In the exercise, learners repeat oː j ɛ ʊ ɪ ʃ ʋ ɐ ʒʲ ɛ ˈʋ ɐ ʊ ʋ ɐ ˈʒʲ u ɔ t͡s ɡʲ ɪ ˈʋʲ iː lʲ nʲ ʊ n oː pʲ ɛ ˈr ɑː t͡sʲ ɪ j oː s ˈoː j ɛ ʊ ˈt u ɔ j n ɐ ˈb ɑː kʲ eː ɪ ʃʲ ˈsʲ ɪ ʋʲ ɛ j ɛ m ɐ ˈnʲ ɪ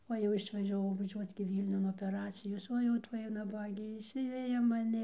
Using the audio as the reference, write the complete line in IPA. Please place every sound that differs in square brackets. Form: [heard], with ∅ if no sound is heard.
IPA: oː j ɛ ʊ ɪ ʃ ʋ ɐ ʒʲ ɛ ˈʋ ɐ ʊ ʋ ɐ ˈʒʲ u ɔ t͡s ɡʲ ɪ ˈʋʲ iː lʲ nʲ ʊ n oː pʲ ɛ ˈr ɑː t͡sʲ ɪ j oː s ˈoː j ɛ ʊ ˈt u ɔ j n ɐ ˈb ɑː [ɡʲ] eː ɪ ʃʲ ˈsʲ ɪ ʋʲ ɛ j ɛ m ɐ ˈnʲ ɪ